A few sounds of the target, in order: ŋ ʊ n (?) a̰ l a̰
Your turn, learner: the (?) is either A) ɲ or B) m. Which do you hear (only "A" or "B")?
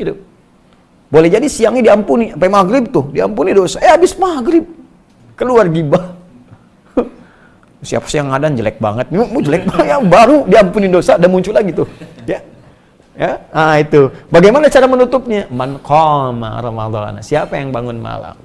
B